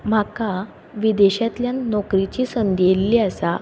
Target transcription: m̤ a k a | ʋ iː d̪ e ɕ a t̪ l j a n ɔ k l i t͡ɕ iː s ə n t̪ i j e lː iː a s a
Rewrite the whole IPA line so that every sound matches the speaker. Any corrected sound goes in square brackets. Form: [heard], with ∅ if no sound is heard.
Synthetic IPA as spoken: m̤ a k a | ʋ [i] d̪ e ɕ a t̪ l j a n ɔ k [ɾ] i t͡ɕ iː s ə n [d̪] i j e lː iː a s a